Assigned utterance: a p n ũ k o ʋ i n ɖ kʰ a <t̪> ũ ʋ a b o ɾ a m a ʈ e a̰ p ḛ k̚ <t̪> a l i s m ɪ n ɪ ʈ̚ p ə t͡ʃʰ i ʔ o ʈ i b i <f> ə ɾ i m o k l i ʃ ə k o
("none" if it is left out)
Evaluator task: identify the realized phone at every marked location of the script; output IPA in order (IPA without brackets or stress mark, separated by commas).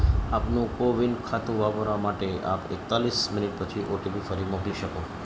t̪, t̪, f